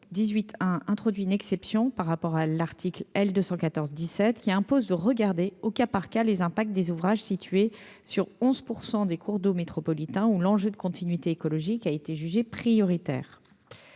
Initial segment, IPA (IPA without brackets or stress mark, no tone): d̪